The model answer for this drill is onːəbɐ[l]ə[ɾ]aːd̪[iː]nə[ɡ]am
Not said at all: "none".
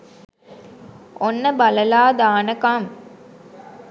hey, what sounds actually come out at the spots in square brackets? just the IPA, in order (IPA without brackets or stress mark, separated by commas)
l, l, aː, k